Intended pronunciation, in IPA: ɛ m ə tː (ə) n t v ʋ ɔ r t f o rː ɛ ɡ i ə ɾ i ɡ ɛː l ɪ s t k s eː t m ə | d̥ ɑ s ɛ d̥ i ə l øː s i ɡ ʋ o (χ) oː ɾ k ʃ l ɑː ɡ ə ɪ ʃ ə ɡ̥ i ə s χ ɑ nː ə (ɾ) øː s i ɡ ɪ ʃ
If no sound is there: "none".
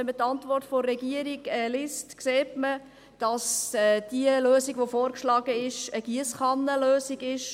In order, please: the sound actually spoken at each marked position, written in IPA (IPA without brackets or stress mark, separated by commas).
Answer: ɑ, f, l